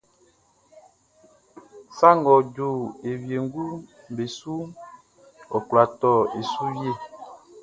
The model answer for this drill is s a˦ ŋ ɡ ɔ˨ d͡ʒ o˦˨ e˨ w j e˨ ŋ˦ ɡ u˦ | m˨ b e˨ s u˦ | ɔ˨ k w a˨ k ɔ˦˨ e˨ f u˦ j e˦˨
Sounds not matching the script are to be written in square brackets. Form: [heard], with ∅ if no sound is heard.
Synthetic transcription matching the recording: s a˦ ŋ ɡ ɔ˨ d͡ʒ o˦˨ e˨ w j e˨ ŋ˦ ɡ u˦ | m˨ b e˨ s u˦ | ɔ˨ k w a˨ [t] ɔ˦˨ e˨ [s] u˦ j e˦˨

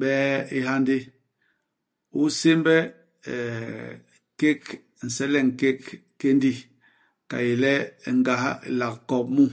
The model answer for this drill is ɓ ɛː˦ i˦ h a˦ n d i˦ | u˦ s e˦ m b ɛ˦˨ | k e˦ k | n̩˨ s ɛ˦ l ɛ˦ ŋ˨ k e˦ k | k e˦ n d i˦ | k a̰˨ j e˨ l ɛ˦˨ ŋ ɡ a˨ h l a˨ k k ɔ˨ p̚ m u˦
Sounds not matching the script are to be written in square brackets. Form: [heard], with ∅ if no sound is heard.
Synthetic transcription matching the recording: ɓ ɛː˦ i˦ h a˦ n d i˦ | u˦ s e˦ m b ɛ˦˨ | k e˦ k | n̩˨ s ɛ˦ l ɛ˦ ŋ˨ k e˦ k | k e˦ n d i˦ | k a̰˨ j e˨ l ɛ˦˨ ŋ ɡ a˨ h l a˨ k k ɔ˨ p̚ m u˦

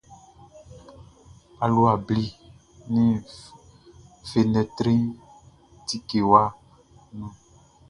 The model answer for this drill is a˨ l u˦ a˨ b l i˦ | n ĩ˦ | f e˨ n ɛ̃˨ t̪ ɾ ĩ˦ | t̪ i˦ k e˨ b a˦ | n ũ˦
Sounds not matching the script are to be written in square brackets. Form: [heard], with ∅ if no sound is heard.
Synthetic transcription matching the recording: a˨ l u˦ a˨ b l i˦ | n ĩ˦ | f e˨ n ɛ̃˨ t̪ ɾ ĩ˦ | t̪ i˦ k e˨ [w] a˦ | n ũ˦

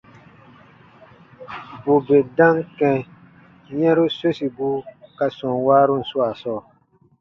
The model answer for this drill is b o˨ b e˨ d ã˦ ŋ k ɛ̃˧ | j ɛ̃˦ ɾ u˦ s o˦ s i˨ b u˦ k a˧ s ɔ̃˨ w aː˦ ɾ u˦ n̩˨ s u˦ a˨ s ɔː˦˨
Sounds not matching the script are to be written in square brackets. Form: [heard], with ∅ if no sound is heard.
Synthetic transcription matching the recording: b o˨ b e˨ d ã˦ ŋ k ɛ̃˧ | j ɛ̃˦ ɾ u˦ s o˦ s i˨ b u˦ k a˧ s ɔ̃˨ w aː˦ ɾ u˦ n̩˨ s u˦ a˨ s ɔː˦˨

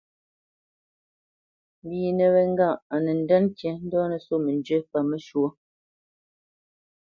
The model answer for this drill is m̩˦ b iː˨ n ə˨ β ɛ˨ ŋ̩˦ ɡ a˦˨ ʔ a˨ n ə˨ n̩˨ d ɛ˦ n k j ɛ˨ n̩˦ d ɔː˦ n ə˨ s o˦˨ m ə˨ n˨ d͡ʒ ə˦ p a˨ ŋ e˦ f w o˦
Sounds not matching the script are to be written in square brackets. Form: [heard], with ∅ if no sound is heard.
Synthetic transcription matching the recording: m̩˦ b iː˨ n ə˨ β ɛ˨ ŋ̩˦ ɡ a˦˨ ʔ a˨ n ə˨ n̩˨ d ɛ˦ n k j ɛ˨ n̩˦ d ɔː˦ n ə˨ s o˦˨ m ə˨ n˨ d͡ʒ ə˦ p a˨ [m] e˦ [ʃ] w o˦

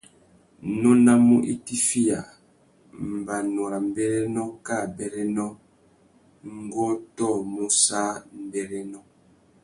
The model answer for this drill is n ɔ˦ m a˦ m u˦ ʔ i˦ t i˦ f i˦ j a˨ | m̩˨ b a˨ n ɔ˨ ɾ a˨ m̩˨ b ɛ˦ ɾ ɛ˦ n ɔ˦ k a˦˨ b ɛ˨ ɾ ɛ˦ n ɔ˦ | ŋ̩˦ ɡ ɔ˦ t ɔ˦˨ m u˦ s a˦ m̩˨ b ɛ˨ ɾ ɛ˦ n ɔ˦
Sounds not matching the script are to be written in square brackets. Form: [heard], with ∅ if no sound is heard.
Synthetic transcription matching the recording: n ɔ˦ [n] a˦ m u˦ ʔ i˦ t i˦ f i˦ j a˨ | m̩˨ b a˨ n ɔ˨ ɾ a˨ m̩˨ b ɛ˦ ɾ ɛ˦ n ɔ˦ k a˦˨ b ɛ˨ ɾ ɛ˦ n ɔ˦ | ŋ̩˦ ɡ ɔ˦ t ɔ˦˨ m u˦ s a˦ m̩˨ b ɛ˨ ɾ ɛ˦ n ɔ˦

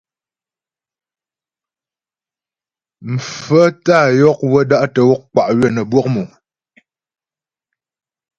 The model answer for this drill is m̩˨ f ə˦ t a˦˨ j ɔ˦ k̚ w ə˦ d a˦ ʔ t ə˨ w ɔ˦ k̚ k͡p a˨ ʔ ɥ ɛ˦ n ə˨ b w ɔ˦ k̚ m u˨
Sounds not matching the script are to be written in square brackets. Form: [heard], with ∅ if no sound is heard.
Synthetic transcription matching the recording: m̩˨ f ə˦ t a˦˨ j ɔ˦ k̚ w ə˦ d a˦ ʔ t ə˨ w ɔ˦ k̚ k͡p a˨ ʔ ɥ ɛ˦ n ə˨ b w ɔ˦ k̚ m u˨

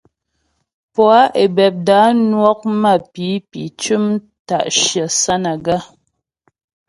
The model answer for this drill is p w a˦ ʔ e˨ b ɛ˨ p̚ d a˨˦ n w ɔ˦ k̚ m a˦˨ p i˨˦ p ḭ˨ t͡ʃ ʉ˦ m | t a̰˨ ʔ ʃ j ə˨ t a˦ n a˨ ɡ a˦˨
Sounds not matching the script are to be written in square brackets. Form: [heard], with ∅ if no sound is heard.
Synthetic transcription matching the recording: p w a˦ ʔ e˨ b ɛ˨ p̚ d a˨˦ n w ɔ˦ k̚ m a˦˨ p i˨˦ p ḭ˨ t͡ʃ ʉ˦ m | t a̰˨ ʔ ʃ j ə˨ [s] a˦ n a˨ ɡ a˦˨

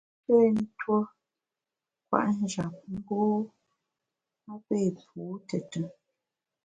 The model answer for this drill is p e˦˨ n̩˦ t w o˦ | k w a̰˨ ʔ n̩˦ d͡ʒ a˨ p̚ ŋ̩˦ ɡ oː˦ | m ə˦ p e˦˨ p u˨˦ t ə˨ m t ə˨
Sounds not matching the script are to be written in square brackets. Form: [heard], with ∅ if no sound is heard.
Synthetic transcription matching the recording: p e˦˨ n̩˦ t w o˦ | k w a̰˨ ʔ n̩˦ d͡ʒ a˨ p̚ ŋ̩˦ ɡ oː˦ | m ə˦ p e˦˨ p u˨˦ t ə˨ [∅] t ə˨

